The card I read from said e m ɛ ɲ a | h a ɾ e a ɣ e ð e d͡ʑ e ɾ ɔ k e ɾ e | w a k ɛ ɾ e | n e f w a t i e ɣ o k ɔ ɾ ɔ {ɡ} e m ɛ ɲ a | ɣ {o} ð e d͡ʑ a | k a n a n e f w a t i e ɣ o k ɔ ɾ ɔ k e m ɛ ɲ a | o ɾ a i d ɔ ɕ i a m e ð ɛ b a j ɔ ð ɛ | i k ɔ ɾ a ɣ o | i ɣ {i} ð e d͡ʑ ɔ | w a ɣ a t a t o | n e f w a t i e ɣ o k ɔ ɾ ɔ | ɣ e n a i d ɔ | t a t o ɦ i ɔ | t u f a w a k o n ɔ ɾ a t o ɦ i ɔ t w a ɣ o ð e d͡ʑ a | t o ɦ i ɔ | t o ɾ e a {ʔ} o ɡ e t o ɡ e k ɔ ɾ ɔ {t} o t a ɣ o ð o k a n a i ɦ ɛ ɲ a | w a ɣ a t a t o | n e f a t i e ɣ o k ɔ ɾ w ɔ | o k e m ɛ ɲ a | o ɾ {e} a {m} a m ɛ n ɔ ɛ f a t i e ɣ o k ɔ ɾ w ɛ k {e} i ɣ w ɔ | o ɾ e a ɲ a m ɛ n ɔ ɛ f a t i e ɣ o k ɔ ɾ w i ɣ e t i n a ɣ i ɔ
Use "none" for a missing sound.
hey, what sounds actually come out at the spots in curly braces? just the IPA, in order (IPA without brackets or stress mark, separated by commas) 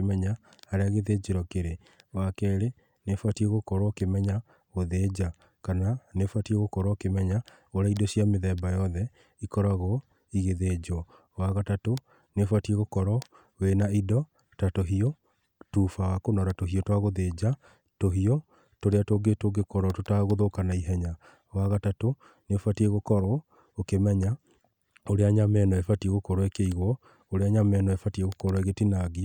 k, o, e, t, t, e, ɲ, e